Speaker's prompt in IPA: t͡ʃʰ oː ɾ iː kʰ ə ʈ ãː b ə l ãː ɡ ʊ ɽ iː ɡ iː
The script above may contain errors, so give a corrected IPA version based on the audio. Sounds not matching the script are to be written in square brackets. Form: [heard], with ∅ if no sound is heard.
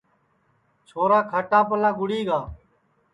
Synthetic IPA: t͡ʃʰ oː ɾ [aː] kʰ ə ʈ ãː [p] ə l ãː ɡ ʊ ɽ iː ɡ [aː]